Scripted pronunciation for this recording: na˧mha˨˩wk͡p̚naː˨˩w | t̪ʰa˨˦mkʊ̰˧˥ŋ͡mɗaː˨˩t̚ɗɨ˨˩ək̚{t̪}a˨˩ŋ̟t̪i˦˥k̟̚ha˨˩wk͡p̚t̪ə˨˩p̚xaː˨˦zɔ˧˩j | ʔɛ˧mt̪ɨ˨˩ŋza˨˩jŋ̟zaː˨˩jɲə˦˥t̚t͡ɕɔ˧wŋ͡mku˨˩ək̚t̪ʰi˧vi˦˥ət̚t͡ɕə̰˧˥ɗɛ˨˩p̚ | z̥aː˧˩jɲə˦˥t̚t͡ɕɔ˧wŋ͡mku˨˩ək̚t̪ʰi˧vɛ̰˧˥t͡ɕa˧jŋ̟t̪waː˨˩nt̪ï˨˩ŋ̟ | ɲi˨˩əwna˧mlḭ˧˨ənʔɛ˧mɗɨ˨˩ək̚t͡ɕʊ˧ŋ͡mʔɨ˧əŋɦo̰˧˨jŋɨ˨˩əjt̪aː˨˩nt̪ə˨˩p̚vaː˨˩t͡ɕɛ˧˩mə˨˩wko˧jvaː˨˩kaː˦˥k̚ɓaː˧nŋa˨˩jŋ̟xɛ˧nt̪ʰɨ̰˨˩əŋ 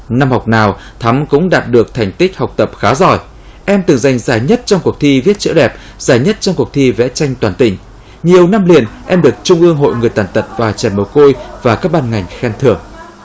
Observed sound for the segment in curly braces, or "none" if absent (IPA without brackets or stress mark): t̪ʰ